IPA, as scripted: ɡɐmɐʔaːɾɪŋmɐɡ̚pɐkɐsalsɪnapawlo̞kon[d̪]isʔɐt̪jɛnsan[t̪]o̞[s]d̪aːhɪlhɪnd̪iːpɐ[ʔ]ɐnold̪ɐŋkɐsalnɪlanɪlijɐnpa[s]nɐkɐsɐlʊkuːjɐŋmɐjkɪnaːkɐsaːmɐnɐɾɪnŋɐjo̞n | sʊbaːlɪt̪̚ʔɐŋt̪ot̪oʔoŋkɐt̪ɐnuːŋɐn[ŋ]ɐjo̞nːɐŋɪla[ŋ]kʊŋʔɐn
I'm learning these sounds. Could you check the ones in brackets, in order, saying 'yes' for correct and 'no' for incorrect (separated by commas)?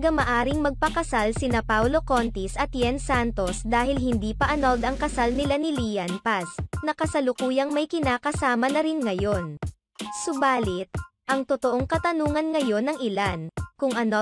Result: no, yes, yes, yes, yes, yes, no